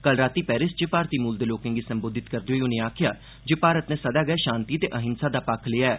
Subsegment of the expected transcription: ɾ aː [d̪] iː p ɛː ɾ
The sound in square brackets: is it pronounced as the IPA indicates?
no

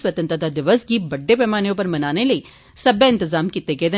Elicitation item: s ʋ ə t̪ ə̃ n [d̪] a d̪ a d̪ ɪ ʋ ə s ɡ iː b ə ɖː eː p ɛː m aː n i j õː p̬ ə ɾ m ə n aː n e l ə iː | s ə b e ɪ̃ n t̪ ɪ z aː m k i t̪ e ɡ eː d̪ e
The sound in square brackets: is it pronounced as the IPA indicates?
no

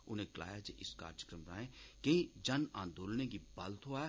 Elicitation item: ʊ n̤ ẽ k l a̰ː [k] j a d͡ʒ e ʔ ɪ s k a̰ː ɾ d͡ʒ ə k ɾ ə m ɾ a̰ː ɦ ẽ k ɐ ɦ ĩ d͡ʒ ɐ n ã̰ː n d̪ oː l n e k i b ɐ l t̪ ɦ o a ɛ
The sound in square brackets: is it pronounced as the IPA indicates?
no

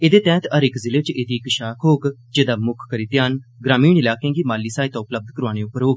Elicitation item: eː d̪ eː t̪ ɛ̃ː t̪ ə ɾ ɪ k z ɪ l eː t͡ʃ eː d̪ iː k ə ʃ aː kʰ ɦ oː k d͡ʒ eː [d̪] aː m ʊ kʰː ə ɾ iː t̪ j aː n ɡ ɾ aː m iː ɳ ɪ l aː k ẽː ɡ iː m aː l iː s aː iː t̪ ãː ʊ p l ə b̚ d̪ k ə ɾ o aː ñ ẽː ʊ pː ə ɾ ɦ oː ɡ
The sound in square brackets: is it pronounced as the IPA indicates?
yes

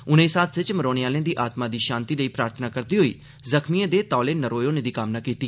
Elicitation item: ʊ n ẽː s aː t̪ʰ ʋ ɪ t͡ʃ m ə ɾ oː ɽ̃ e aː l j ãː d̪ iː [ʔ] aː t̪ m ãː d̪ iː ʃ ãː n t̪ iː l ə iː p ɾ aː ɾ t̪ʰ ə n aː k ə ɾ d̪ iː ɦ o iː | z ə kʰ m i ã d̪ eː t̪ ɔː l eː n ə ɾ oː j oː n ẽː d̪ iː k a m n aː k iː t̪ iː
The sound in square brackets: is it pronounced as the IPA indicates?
yes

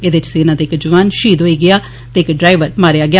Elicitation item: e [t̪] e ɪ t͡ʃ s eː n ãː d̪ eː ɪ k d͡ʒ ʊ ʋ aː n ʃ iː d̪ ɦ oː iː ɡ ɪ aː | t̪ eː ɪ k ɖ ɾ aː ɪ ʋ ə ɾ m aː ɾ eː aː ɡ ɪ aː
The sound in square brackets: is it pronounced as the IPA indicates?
no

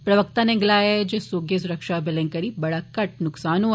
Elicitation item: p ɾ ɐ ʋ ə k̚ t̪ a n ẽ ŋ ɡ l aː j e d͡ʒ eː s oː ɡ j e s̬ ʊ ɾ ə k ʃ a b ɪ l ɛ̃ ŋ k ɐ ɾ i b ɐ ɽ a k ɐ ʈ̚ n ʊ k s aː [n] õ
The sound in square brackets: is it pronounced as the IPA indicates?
yes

